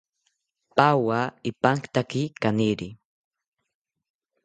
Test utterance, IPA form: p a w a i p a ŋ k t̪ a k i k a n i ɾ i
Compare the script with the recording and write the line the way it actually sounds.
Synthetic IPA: p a w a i p a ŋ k t̪ a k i k a n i ɾ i

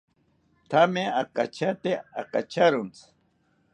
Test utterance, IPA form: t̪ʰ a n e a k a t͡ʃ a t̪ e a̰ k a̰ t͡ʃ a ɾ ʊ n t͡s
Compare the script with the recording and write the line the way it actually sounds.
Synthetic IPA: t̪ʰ a m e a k a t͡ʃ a t̪ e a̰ k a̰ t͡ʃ a ɾ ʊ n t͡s

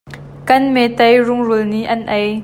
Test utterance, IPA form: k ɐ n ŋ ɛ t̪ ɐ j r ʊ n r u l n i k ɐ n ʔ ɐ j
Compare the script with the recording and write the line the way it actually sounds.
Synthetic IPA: k ɐ n m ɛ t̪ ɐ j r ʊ ŋ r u l n i ʔ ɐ n ʔ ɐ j

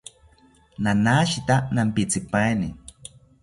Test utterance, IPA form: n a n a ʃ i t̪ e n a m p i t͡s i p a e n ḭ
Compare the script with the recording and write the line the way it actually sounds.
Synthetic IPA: n a n a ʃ i t̪ a n a m p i t͡s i p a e n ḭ

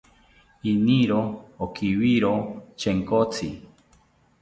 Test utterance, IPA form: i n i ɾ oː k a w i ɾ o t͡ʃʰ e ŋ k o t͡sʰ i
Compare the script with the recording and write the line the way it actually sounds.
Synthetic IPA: i n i ɾ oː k i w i ɾ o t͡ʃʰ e ŋ k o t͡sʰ i

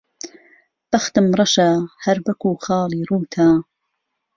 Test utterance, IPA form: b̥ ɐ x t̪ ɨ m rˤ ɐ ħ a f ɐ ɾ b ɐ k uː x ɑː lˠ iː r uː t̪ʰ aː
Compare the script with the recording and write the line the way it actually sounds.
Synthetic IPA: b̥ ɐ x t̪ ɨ m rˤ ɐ ʃ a h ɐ ɾ b ɐ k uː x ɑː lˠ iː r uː t̪ʰ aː

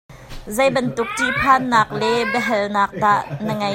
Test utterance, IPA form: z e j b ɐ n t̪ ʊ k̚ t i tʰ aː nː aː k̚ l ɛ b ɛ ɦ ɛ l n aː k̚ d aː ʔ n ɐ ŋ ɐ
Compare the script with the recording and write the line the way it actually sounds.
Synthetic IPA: z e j b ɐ n t̪ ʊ k̚ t i pʰ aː nː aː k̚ l ɛ b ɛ ɦ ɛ l n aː k̚ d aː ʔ n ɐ ŋ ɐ

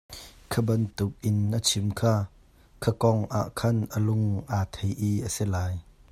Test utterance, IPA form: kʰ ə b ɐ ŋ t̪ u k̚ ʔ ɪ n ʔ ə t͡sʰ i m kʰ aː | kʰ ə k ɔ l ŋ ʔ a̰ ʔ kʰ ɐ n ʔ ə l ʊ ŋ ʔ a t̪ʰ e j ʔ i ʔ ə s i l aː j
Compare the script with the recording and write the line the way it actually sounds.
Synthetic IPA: kʰ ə b ɐ n t̪ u k̚ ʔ ɪ n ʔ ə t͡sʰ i m kʰ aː | kʰ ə k ɔ ŋ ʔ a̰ ʔ kʰ ɐ n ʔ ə l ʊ ŋ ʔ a t̪ʰ e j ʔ i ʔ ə s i l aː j

